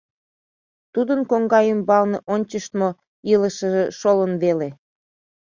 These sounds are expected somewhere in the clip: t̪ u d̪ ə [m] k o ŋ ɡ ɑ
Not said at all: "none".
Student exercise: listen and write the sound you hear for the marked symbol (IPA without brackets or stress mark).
n